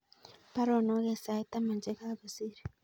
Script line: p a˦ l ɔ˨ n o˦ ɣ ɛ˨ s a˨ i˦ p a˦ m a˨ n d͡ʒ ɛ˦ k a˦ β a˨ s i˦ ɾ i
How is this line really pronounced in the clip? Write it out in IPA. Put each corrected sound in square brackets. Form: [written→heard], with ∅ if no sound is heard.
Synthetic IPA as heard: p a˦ [l→ɾ] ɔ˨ n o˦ ɣ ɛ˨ s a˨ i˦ [p→t] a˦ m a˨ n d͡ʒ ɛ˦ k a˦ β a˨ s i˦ ɾ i